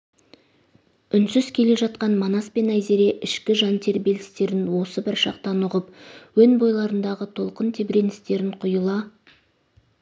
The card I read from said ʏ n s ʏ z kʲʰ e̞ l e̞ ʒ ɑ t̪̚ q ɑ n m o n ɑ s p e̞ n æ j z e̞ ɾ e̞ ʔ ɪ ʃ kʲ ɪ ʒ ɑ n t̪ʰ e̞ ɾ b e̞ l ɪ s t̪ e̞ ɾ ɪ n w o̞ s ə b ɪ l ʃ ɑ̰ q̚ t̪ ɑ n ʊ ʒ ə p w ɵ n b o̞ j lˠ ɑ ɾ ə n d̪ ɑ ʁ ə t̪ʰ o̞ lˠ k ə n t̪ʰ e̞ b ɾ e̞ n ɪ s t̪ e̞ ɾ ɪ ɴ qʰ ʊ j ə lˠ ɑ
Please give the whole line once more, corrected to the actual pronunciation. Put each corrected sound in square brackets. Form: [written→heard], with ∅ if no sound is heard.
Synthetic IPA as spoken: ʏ n s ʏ z kʲʰ e̞ l e̞ ʒ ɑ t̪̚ q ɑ n m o n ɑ s p e̞ n æ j z e̞ ɾ e̞ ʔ ɪ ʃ kʲ ɪ ʒ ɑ n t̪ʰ e̞ ɾ b e̞ l ɪ s t̪ e̞ ɾ ɪ n w o̞ s ə b ɪ [l→ɾ] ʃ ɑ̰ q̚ t̪ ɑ n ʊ [ʒ→ʁ] ə p w ɵ n b o̞ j lˠ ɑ ɾ ə n d̪ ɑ ʁ ə t̪ʰ o̞ lˠ [k→q] ə n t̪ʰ e̞ b ɾ e̞ n ɪ s t̪ e̞ ɾ ɪ ɴ qʰ ʊ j ə lˠ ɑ